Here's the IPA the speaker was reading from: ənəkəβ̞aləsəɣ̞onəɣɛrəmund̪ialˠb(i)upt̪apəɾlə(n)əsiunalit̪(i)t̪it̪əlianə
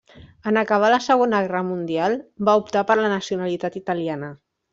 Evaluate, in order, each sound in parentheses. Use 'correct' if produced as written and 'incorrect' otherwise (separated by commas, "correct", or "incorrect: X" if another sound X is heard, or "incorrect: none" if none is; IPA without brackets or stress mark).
incorrect: a, correct, incorrect: a